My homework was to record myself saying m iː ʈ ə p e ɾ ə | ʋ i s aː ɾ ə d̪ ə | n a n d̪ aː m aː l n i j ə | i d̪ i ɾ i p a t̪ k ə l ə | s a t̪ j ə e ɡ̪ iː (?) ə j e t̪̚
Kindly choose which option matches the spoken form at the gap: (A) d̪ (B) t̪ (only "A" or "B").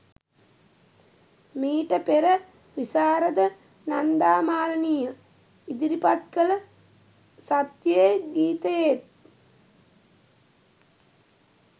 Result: B